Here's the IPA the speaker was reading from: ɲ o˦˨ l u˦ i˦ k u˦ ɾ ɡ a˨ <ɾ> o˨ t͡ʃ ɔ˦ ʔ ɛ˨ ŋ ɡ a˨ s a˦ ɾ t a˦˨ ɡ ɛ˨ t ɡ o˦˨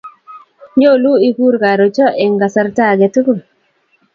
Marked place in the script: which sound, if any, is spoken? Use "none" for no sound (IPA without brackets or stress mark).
ɾ